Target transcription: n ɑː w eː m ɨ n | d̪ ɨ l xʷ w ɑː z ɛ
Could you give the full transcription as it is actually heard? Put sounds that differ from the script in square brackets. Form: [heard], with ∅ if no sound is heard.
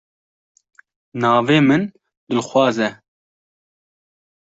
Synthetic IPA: n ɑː [v] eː m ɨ n | d̪ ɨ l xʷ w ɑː z ɛ

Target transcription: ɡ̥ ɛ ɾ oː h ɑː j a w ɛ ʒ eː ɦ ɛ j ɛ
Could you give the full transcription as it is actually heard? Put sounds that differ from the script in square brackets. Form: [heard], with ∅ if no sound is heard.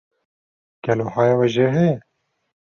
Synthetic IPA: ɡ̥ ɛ [l] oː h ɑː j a w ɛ ʒ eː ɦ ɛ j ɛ

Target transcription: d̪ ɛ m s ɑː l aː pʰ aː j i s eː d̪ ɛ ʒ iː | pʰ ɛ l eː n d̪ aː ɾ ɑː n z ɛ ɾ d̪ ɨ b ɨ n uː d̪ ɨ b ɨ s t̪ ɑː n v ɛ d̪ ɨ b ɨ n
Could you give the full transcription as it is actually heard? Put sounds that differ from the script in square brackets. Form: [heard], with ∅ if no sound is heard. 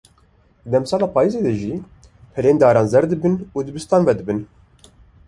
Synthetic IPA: d̪ ɛ m s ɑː l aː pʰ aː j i [z] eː d̪ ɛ ʒ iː | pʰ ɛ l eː n d̪ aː ɾ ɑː n z ɛ ɾ d̪ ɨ b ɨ n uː d̪ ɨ b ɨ s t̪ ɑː n v ɛ d̪ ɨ b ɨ n

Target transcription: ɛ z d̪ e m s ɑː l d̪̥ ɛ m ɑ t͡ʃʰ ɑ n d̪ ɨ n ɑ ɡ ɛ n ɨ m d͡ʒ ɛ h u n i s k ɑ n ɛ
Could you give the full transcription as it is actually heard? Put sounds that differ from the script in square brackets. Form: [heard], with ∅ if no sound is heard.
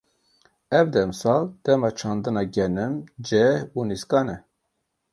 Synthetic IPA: ɛ [v] d̪ [ɛ] m s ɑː l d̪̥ ɛ m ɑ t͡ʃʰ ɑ n d̪ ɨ n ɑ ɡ ɛ n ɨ m d͡ʒ ɛ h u n i s k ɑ n ɛ

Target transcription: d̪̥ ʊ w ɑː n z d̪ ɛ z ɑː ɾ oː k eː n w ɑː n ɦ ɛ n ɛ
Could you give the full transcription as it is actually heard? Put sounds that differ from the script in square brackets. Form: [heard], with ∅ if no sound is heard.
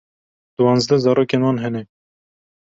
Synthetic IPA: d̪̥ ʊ w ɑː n z d̪ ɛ z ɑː ɾ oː k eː n w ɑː n ɦ ɛ n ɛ

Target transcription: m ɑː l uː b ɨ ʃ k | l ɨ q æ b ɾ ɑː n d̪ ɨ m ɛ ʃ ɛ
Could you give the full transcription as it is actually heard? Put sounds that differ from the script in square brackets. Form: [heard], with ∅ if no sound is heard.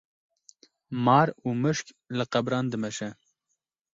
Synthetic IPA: m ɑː [ɾ] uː [m] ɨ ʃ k | l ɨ q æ b ɾ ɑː n d̪ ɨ m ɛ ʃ ɛ

